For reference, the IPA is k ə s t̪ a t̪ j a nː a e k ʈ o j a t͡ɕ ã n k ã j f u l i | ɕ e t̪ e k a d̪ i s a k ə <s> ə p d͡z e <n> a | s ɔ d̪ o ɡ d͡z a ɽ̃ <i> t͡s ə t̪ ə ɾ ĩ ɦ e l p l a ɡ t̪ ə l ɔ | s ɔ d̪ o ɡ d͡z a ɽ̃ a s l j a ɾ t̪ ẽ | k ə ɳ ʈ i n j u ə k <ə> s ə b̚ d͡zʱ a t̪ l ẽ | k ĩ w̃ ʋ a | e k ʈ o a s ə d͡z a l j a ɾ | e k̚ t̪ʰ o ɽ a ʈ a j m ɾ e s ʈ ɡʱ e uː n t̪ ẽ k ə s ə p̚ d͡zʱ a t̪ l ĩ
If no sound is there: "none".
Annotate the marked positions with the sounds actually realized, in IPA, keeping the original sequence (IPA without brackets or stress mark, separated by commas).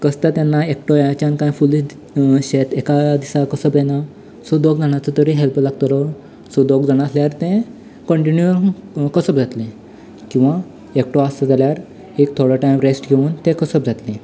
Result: s, n, a, ə